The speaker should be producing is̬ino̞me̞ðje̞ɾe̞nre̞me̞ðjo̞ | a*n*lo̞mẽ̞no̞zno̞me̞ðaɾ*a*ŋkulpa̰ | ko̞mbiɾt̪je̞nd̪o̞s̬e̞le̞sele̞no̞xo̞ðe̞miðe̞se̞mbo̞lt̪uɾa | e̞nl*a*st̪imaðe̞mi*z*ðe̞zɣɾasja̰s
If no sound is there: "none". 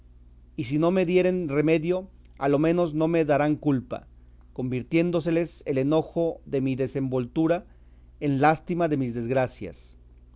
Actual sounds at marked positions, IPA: none, a, a, z

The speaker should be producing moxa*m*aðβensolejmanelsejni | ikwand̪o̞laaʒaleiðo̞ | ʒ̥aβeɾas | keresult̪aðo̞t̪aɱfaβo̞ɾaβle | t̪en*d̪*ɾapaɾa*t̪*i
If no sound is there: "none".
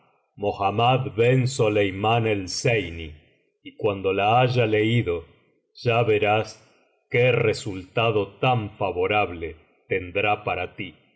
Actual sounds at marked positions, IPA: m, d̪, t̪

